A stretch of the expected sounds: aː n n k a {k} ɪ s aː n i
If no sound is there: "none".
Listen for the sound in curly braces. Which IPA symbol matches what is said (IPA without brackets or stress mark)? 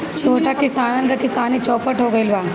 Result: k